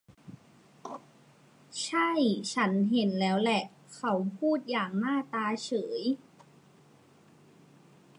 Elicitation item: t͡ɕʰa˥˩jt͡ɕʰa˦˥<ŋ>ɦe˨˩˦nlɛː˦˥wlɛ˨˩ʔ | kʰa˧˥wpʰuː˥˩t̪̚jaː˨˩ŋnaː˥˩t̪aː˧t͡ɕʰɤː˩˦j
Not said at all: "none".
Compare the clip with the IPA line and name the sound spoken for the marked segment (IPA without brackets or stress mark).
n